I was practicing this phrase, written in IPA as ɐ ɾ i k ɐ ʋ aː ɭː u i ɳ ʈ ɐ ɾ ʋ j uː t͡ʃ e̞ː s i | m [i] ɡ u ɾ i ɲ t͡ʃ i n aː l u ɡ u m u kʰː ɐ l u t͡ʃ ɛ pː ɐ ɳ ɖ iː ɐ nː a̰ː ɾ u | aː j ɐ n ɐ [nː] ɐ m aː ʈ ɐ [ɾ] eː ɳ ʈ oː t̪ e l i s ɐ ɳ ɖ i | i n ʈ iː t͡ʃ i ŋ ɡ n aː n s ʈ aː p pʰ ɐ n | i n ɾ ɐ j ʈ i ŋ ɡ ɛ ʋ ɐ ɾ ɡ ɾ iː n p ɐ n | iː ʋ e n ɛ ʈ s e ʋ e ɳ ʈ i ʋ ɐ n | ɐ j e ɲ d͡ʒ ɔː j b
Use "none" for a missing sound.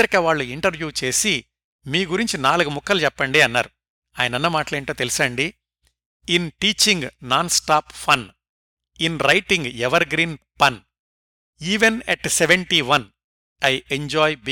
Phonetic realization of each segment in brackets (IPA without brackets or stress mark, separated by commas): iː, nː, l